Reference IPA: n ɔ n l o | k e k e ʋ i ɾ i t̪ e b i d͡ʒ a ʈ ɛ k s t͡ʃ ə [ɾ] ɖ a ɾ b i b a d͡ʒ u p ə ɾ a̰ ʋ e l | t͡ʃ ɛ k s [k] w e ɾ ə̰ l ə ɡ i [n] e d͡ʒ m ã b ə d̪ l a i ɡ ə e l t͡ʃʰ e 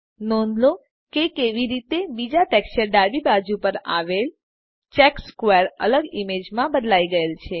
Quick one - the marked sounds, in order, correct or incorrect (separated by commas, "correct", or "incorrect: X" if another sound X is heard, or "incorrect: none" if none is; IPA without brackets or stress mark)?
correct, correct, incorrect: m